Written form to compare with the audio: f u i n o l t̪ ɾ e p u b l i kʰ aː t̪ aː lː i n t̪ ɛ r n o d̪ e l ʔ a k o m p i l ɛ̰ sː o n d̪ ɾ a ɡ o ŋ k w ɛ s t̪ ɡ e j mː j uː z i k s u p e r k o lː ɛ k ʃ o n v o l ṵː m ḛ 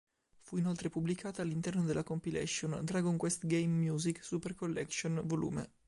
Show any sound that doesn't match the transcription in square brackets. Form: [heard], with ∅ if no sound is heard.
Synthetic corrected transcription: f u i n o l t̪ ɾ e p u b l i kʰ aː t̪ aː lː i n t̪ ɛ r n o d̪ e l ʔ a k o m p i l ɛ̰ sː o n d̪ ɾ a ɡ o ŋ k w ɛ s t̪ ɡ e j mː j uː z i k s u p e r k o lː ɛ k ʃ o n v o l ṵː m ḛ

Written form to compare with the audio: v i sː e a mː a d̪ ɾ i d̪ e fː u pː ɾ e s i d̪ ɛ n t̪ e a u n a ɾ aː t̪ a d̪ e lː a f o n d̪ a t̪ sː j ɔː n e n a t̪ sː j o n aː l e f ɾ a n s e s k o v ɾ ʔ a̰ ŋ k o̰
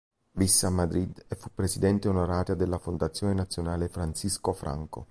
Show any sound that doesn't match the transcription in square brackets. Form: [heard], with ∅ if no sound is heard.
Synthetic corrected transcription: v i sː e a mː a d̪ ɾ i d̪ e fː u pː ɾ e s i d̪ ɛ n t̪ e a u n a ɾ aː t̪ a d̪ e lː a f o n d̪ a t̪ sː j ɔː n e n a t̪ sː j o n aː l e f ɾ a n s [i] s k o [f] ɾ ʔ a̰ ŋ k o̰

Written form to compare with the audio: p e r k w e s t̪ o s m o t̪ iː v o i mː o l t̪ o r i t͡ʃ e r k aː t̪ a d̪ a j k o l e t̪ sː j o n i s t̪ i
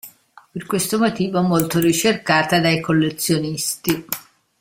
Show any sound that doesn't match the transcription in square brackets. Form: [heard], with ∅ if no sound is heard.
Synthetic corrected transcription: p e r k w e s t̪ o [∅] m o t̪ iː v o [ɛ] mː o l t̪ o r i t͡ʃ e r k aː t̪ a d̪ a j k o [lː] e t̪ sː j o n i s t̪ i

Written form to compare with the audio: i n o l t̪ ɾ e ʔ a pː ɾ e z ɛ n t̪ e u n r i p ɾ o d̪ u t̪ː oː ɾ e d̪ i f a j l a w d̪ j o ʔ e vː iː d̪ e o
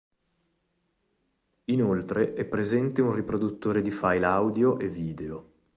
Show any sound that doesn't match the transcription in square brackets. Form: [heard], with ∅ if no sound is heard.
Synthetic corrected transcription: i n o l t̪ ɾ e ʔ [ɛ] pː ɾ e z ɛ n t̪ e u n r i p ɾ o d̪ u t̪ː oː ɾ e d̪ i f a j l a w d̪ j o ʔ e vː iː d̪ e o

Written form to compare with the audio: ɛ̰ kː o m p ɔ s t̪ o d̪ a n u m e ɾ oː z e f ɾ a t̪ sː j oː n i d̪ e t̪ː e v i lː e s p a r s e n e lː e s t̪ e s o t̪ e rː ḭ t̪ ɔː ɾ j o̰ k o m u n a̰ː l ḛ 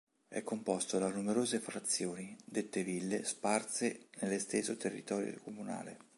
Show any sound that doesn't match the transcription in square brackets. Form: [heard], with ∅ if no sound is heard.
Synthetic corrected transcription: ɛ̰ kː o m p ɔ s t̪ o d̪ a n u m e ɾ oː z e f ɾ a t̪ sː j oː n i d̪ e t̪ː e v i lː e s p a r s e n e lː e s t̪ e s o t̪ e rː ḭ t̪ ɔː ɾ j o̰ k o m u n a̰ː l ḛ

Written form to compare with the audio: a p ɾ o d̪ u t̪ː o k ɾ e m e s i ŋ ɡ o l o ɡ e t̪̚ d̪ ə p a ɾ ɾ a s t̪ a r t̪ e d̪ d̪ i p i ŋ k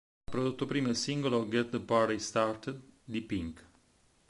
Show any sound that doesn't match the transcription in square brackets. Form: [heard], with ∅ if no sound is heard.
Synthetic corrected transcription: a p ɾ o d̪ u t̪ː o [p] ɾ [i] m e s i ŋ ɡ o l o ɡ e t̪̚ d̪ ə p a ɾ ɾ [i] s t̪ a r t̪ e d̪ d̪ i p i ŋ k

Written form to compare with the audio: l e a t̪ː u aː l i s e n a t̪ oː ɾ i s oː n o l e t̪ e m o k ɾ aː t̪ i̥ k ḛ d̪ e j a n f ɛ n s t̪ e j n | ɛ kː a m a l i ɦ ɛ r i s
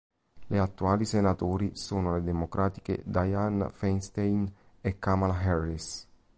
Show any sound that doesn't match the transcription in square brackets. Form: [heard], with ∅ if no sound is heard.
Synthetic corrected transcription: l e a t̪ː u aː l i s e n a t̪ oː ɾ i s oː n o l e [d̪] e m o k ɾ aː t̪ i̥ k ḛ d̪ [a] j a n f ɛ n s t̪ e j n | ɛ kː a m a l [a] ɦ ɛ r i s

